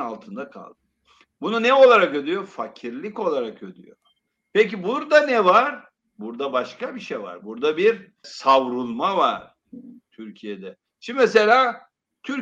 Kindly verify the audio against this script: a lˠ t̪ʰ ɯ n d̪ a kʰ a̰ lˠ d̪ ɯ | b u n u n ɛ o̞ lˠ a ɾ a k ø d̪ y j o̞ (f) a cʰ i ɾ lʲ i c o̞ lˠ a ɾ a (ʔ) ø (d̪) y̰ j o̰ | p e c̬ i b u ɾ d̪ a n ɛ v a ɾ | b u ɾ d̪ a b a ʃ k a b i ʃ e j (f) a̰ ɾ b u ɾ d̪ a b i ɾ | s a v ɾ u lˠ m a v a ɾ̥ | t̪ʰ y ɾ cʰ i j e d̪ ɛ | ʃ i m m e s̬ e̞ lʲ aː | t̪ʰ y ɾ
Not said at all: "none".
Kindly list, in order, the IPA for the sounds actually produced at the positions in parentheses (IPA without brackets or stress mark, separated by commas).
f, k, d̪, v